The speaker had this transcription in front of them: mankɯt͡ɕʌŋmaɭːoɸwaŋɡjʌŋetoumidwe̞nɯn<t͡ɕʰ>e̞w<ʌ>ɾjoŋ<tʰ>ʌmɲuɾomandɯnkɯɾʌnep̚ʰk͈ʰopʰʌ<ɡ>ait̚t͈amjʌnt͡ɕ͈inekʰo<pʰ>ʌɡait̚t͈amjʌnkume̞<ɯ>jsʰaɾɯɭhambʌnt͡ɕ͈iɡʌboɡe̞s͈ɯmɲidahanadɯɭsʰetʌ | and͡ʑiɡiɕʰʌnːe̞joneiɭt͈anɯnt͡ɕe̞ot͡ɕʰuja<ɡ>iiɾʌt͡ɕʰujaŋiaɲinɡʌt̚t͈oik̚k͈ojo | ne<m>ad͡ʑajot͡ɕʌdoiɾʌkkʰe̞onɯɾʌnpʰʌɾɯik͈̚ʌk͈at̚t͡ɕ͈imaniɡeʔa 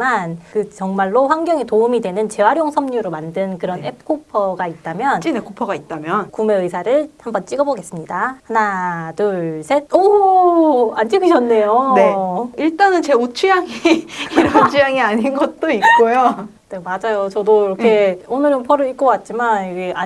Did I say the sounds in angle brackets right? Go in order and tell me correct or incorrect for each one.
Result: incorrect, incorrect, incorrect, correct, correct, correct, incorrect, correct

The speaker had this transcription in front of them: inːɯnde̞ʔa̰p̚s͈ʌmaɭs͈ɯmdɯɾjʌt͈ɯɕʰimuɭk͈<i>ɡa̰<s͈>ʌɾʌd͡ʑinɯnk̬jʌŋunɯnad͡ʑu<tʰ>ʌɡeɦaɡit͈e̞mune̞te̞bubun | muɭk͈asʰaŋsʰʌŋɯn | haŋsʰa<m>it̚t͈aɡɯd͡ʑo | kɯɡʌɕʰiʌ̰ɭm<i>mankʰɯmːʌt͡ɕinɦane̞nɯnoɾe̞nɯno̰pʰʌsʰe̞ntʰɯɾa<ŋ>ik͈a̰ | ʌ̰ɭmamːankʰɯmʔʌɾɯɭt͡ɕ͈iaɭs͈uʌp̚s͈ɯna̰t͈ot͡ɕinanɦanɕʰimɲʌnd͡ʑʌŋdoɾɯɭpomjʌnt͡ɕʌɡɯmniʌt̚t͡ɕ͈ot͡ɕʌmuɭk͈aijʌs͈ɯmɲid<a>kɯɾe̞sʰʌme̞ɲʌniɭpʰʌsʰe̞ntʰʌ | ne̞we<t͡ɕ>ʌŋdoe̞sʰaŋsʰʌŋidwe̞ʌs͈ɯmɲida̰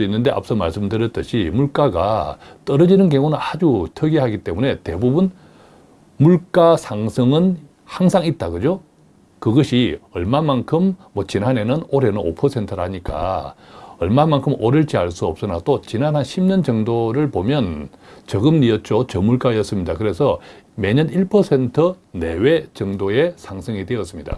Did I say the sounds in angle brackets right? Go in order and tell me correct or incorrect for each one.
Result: incorrect, incorrect, correct, incorrect, incorrect, incorrect, correct, correct

